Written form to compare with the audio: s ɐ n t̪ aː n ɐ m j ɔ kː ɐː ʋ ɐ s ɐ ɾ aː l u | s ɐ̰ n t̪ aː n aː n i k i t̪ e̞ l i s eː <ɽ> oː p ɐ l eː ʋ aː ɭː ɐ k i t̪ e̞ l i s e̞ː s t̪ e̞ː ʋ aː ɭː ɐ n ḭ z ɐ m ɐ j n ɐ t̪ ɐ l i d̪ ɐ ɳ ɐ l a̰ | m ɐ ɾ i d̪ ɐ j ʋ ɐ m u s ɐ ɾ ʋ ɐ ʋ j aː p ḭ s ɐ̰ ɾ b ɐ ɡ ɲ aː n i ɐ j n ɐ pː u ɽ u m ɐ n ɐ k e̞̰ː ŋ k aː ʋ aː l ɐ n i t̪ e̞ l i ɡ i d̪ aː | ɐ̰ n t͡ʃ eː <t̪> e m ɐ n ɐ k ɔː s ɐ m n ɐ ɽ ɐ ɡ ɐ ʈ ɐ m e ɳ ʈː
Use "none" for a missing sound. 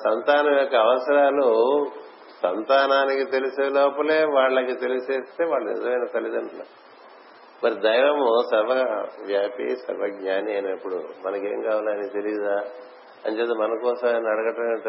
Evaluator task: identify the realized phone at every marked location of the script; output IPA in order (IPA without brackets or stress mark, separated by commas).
l, t̪